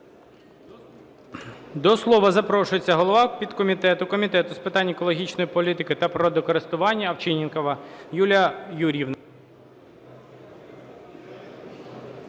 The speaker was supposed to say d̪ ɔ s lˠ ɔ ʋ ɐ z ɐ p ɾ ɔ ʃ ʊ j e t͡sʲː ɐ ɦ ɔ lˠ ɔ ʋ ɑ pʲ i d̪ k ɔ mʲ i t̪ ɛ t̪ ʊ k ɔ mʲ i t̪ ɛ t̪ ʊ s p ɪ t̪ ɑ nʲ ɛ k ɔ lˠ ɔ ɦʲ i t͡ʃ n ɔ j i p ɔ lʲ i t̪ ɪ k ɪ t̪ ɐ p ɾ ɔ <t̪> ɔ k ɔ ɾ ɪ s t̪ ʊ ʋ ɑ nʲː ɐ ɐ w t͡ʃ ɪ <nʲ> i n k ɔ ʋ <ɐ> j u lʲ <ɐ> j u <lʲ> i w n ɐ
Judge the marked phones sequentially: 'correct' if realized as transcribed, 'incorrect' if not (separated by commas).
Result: incorrect, correct, correct, correct, incorrect